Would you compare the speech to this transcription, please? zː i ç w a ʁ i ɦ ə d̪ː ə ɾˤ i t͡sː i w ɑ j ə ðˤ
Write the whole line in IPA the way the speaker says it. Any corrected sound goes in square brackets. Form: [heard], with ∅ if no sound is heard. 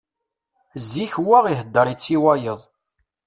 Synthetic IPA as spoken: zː i ç w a ʁ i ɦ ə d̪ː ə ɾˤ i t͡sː i w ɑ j ə ðˤ